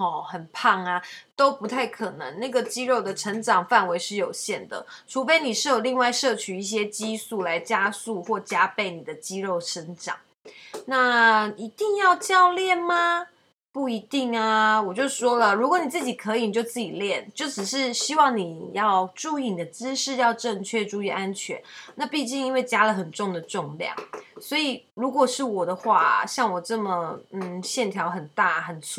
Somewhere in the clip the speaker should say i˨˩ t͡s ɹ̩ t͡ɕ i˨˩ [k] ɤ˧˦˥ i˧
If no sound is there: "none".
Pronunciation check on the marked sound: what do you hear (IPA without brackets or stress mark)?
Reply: kʰ